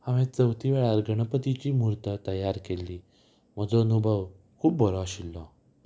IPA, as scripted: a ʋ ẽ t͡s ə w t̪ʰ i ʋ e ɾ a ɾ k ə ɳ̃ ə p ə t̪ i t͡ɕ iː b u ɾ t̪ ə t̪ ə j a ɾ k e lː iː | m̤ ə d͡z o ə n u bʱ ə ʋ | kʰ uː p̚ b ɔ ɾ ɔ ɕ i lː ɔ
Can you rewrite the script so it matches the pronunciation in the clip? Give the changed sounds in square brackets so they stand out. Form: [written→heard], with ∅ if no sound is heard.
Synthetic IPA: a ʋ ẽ t͡s ə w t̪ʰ i ʋ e [ɾ→ɭ] a ɾ [k→ɡ] ə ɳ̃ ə p ə t̪ i t͡ɕ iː [b→m] u ɾ t̪ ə t̪ ə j a ɾ k e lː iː | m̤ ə d͡z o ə n u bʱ ə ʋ | kʰ uː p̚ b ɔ ɾ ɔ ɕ i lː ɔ